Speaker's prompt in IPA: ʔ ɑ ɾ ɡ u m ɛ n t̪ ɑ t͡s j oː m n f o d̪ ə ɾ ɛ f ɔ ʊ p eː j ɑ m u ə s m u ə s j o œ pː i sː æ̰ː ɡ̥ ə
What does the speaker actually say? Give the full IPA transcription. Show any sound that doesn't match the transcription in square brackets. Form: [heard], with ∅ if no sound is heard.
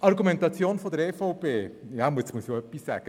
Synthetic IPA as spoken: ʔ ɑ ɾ ɡ u m ɛ n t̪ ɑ t͡s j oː [∅] n f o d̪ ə ɾ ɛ f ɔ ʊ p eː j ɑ m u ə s m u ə s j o œ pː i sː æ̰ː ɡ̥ ə